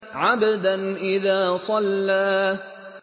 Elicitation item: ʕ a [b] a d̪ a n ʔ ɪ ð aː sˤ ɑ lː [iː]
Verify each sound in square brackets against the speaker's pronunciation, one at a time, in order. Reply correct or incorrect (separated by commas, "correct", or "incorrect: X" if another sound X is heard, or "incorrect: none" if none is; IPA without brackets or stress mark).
correct, incorrect: aː